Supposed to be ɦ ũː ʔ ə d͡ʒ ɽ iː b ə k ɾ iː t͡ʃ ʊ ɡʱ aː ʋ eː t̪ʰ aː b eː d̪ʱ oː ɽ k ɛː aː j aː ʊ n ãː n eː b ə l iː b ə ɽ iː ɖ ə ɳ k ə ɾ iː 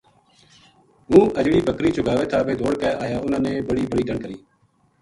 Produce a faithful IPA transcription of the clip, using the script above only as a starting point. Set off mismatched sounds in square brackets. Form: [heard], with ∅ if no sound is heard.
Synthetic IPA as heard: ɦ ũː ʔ ə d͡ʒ ɽ iː b ə k ɾ iː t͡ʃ ʊ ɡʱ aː ʋ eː t̪ʰ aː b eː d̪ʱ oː ɽ k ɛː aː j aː ʊ n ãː n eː b ə [ɽ] iː b ə ɽ iː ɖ ə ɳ k ə ɾ iː

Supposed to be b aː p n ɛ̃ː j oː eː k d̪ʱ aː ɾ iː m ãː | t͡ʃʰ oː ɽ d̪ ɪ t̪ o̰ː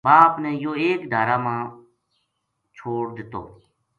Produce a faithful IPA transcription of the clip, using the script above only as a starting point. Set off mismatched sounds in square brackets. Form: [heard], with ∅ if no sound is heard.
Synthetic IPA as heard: b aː p n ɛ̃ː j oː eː k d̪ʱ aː ɾ [aː] m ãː | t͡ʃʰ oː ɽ d̪ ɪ t̪ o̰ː

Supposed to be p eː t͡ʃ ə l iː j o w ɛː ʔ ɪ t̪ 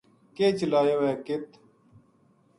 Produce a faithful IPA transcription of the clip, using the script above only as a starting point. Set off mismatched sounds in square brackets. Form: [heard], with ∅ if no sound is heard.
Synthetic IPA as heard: [k] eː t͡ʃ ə l [aː] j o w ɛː [k] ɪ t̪

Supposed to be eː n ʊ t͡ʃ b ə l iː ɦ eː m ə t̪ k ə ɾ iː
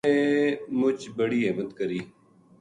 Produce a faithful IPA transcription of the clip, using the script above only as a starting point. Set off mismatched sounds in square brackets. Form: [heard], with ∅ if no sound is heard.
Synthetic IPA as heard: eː [m] ʊ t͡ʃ b ə [ɽ] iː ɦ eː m ə t̪ k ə ɾ iː

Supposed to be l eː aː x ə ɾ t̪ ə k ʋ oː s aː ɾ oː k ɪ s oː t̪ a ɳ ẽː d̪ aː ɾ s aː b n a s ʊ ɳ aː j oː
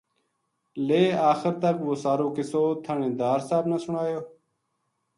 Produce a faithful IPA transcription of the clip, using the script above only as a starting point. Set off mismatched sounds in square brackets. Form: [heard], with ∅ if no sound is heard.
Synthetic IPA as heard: l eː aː x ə ɾ t̪ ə k ʋ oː s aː ɾ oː k ɪ s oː [t̪ʰ] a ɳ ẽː d̪ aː ɾ s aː b n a s ʊ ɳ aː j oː

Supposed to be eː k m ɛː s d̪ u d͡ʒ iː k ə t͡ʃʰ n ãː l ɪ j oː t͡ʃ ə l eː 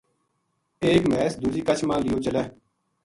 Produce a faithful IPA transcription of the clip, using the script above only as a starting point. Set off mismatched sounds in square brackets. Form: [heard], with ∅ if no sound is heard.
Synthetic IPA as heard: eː k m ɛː s d̪ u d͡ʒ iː k ə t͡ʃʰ [m] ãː l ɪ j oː t͡ʃ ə l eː

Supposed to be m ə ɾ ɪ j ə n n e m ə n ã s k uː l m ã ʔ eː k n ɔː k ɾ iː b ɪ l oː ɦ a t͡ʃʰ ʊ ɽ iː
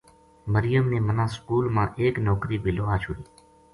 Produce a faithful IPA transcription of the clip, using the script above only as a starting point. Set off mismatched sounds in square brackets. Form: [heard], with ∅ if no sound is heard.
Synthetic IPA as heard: m ə ɾ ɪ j ə [m] n e m ə n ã s k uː l m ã ʔ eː k n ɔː k ɾ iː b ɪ l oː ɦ a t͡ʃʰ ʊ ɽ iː

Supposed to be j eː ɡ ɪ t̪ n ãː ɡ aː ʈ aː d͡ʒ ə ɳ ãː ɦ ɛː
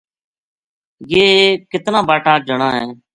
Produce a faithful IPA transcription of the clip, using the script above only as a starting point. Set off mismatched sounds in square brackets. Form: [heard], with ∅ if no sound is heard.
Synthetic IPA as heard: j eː [k] ɪ t̪ n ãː [b] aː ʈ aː d͡ʒ ə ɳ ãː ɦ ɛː

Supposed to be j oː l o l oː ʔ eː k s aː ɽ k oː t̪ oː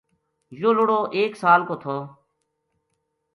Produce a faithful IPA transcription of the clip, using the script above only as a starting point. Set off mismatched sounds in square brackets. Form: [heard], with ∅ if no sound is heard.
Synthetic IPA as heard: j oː l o [ɽ] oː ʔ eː k s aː [l] k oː [t̪ʰ] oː

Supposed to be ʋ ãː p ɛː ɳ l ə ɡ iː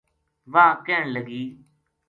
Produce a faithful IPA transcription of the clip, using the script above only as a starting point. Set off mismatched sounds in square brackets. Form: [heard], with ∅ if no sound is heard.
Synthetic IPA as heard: ʋ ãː [k] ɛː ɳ l ə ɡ iː

